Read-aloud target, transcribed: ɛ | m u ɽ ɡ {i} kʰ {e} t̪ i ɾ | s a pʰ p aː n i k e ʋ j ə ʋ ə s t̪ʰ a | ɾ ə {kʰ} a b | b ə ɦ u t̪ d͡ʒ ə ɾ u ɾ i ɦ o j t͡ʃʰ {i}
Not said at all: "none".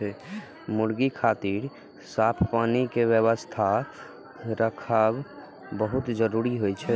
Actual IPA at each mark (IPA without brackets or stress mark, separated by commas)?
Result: i, a, kʰ, ɛ